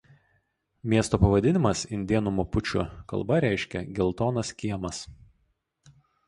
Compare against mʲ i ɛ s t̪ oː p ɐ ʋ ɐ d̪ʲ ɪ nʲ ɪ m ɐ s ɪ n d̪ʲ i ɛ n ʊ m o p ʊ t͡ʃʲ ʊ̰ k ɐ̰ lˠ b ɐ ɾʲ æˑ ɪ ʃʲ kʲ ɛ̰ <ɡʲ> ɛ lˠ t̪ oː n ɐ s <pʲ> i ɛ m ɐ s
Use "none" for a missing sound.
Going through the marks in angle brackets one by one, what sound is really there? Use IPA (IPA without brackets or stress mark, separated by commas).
ɡʲ, kʲ